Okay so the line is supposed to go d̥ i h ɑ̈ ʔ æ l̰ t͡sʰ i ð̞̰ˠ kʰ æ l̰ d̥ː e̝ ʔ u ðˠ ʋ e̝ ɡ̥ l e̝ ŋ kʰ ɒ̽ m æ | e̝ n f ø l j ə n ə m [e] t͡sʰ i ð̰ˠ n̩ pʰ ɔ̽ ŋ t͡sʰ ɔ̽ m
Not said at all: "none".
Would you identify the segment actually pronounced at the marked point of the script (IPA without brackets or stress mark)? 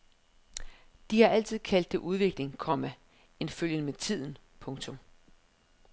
e